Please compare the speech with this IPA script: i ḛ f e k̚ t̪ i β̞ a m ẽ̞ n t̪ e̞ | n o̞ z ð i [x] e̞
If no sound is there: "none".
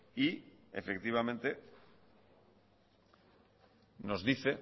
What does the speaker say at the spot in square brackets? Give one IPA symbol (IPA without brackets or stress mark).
θ